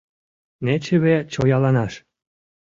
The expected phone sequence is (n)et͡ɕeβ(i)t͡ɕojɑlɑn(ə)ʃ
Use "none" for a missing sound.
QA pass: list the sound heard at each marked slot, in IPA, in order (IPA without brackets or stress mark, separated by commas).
n, e, ɑ